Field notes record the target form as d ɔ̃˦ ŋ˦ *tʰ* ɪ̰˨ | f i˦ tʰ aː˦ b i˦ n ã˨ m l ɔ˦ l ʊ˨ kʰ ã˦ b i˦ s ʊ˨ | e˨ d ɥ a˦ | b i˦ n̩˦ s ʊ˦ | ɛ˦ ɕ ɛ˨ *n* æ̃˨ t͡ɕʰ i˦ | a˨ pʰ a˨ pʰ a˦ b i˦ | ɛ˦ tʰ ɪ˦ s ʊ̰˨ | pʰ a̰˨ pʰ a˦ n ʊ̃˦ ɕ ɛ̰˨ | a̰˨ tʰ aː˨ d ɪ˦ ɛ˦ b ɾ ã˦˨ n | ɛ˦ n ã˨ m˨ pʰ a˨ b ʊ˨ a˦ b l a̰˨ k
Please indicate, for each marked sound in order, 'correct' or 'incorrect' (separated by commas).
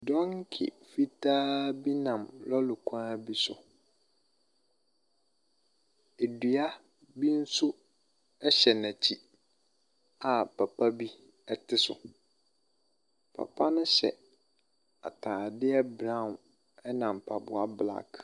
incorrect, correct